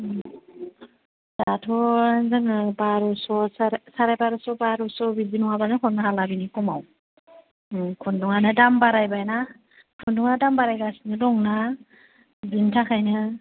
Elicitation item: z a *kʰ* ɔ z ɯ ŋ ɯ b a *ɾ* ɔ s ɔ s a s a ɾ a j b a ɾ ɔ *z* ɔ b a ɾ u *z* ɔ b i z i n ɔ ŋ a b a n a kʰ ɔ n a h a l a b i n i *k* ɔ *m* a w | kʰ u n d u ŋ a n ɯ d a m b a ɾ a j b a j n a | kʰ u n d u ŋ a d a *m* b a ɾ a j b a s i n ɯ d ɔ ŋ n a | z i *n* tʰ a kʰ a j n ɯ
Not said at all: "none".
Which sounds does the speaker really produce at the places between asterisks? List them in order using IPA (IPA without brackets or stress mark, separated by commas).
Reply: tʰ, ɾ, s, s, k, m, m, n